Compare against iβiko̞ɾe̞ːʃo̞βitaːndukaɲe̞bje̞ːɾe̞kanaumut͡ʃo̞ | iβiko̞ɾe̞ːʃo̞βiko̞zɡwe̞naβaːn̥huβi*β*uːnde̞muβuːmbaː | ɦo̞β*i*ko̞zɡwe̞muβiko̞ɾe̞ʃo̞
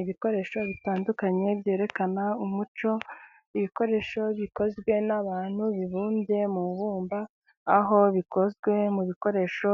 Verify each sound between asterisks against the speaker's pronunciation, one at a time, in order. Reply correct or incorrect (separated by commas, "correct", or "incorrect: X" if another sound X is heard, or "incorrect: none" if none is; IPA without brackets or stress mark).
correct, correct